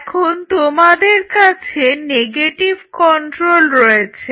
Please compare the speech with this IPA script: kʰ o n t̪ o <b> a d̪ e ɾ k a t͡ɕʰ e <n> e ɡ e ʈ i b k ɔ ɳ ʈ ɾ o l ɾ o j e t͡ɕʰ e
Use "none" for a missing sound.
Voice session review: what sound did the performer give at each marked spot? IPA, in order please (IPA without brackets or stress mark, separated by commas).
m, n